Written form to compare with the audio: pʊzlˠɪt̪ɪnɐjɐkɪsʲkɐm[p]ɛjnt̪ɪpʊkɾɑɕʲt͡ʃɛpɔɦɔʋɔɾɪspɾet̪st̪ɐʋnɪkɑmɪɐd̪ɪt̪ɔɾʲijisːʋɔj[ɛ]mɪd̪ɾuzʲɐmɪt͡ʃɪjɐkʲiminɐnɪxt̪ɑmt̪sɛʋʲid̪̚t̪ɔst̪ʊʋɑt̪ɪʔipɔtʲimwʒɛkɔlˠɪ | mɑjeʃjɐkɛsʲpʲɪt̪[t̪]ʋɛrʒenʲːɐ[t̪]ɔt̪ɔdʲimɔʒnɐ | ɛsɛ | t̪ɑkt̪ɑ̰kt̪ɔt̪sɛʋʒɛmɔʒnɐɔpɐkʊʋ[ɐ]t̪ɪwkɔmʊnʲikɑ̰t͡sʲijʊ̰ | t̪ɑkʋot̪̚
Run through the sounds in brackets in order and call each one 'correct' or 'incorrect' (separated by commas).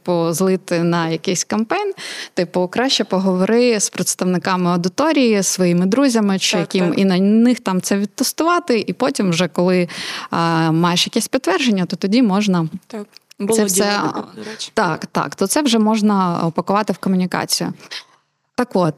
correct, incorrect, correct, correct, incorrect